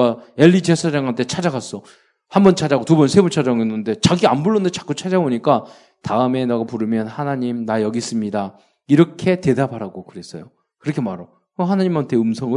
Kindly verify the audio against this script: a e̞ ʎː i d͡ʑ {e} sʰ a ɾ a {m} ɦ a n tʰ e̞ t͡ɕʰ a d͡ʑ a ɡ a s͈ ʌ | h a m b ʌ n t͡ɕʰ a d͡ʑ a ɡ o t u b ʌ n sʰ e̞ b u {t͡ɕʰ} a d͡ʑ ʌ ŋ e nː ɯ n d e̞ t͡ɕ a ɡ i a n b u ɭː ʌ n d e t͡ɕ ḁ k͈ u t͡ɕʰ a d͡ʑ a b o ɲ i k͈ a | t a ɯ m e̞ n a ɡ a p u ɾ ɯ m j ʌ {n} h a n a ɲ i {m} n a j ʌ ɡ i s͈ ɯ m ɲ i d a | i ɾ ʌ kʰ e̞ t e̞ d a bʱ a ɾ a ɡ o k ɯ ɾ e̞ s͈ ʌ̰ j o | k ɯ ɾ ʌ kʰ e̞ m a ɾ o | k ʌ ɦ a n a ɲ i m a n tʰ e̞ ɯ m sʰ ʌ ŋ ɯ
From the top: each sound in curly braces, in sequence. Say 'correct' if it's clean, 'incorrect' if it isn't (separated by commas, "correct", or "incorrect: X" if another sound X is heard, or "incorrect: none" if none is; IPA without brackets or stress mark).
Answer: correct, incorrect: ŋ, correct, correct, correct